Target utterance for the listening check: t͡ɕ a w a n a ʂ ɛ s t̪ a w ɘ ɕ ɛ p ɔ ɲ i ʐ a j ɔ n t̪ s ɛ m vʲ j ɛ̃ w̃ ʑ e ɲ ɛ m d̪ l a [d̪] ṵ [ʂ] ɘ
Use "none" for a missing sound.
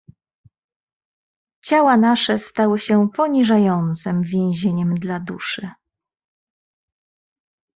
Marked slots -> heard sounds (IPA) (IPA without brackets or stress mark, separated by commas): d̪, ʂ